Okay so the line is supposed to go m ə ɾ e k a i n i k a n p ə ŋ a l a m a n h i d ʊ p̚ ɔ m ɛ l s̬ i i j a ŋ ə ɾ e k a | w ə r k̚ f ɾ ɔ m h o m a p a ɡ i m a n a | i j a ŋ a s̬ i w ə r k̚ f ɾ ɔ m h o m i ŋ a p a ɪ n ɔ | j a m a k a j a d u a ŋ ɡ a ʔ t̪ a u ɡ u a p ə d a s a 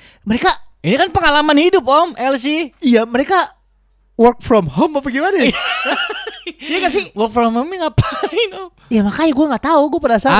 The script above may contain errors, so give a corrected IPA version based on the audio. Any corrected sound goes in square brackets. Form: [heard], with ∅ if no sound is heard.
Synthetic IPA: m ə ɾ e k a i n i k a n p ə ŋ a l a m a n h i d ʊ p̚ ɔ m ɛ l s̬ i i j a [m] ə ɾ e k a | w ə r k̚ f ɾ ɔ m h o m a p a ɡ i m a n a | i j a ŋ a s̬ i w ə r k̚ f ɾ ɔ m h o m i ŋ a p a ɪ n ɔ | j a m a k a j a [ɡ] u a ŋ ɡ a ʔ t̪ a u ɡ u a p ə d a s a